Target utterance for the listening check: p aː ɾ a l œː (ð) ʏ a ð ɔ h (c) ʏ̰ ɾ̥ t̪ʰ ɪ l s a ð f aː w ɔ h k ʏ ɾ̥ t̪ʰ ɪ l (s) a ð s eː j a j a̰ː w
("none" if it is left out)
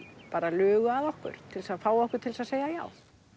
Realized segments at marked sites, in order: ɣ, k, s

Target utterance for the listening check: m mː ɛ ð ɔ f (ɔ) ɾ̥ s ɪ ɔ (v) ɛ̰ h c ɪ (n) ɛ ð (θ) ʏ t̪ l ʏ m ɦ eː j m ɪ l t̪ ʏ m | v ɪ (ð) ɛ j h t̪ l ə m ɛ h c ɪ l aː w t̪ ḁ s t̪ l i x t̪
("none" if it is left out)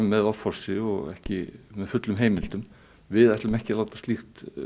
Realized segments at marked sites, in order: ɔ, ɣ, m, f, ð

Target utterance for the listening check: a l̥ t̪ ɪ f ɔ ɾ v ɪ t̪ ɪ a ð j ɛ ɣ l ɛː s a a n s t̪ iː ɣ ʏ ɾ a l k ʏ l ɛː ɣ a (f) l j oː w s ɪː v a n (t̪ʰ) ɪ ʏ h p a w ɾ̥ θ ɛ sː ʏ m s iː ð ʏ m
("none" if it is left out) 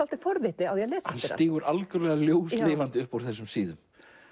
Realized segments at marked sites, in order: none, t̪

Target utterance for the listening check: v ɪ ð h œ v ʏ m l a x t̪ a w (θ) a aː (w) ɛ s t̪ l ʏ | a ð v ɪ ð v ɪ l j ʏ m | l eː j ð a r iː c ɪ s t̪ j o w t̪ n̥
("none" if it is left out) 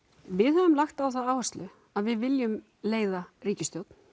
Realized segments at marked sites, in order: θ, w

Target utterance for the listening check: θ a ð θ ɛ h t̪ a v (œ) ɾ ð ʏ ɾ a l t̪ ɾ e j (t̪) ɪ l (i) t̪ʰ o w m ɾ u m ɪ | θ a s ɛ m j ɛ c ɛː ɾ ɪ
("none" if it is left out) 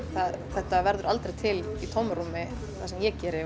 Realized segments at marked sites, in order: ɛ, t̪ʰ, i

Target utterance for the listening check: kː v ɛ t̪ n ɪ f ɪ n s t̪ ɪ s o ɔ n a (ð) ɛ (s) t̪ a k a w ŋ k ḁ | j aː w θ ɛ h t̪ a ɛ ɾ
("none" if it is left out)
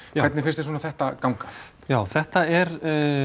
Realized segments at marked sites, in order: θ, h

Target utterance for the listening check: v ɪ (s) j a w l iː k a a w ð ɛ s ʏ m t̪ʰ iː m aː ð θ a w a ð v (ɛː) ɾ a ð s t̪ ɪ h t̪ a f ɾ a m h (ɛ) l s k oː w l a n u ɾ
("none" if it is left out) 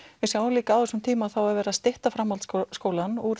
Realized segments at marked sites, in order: s, ɛː, a

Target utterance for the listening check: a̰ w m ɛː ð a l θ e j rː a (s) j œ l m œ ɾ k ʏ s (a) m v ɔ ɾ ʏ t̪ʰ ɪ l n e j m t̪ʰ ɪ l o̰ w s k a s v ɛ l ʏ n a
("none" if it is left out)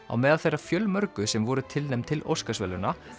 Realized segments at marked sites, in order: f, ɛ

